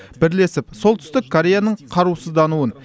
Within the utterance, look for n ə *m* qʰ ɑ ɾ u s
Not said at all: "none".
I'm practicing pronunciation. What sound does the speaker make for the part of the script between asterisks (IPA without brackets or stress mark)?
ɴ